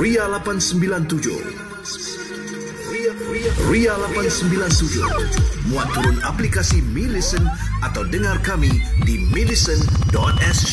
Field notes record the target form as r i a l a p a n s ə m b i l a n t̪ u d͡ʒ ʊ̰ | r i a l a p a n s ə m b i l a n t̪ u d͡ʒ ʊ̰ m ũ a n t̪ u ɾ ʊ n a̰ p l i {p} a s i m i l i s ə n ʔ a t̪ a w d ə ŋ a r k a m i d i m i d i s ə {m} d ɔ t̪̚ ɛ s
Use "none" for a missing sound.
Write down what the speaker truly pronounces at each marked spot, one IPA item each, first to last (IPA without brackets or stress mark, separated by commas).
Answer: k, n